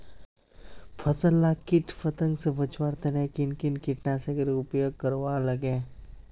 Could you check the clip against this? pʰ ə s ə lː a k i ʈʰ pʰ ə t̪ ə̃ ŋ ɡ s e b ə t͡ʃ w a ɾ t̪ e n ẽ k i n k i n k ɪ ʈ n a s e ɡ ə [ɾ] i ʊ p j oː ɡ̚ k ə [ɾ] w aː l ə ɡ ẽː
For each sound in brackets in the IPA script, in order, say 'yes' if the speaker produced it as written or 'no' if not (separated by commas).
yes, yes